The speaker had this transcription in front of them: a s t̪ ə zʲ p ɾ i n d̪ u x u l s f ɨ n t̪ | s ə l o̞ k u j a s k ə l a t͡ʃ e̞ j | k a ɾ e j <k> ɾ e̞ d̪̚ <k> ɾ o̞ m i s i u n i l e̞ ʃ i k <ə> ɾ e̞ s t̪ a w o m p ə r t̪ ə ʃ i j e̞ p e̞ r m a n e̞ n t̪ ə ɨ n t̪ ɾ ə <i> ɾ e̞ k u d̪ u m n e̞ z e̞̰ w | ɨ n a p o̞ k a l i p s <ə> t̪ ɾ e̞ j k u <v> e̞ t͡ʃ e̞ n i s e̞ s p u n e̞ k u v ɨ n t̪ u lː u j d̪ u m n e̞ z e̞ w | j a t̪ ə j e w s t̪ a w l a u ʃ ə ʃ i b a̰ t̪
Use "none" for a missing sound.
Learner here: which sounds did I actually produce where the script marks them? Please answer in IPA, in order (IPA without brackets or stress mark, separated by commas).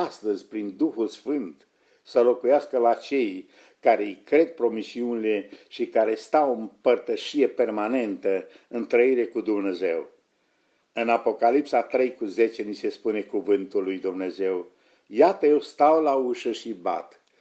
k, p, a, i, a, z